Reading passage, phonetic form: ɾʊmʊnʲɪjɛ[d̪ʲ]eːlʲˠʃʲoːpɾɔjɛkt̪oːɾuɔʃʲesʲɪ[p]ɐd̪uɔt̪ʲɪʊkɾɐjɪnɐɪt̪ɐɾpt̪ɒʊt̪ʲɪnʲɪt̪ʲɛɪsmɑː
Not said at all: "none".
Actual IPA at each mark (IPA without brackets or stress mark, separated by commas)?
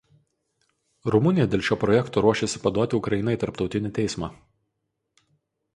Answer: d̪ʲ, p